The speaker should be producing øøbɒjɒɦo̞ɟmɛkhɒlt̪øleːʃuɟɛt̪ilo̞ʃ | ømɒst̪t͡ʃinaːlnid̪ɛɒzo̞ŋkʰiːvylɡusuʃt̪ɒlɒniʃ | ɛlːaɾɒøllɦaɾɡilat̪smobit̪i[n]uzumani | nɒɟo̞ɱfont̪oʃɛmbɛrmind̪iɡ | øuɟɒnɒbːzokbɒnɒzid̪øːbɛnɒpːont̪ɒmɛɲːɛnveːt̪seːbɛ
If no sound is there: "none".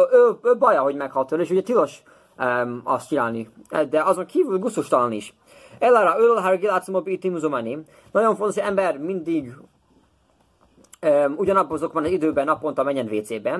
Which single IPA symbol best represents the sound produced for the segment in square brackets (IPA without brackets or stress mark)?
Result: m